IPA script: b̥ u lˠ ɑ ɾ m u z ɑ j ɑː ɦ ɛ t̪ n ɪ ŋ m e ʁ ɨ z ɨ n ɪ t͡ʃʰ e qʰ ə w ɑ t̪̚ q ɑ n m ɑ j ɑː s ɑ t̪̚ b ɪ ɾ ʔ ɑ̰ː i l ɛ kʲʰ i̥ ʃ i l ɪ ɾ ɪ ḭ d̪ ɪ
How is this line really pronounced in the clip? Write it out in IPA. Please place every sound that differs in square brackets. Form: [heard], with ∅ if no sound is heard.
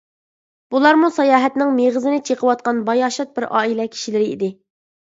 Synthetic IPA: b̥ u lˠ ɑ ɾ m u [s] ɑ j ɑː ɦ ɛ t̪ n ɪ ŋ m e ʁ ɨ z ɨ n ɪ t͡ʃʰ e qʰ ə w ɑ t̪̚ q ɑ n [b] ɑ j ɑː [ʃ] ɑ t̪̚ b ɪ ɾ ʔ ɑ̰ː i l ɛ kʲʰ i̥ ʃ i l ɪ ɾ ɪ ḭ d̪ ɪ